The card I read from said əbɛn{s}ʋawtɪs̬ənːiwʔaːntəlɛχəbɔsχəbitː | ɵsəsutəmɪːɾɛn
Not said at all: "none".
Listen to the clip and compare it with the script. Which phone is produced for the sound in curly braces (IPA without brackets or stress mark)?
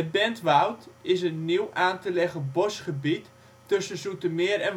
t